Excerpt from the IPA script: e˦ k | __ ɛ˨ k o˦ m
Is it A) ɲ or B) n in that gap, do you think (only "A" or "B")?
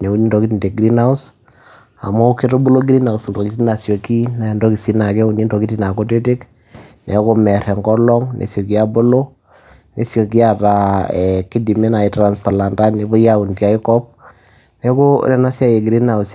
B